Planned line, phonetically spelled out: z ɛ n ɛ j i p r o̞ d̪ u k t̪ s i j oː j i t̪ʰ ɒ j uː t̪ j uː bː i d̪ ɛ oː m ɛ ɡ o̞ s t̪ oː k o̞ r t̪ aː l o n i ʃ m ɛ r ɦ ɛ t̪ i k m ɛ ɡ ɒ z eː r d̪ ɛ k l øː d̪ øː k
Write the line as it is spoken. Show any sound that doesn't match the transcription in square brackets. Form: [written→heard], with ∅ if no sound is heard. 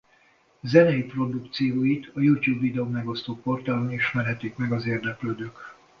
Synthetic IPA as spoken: z ɛ n ɛ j i p r o̞ d̪ u k t̪ s i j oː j i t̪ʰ ɒ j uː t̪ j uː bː i d̪ ɛ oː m ɛ ɡ o̞ s t̪ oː [k→p] o̞ r t̪ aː l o n i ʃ m ɛ r ɦ ɛ t̪ i k m ɛ ɡ ɒ z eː r d̪ ɛ k l øː d̪ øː k